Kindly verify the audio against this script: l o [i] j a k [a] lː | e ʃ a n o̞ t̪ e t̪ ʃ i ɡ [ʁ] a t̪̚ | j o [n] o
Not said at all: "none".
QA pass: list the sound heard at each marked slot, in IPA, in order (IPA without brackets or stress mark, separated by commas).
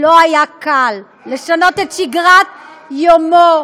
a, a, ʁ, m